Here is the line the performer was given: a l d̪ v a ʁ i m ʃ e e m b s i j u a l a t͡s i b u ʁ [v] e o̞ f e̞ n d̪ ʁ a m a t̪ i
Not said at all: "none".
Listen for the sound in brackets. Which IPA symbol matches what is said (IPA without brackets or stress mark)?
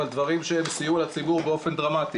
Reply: b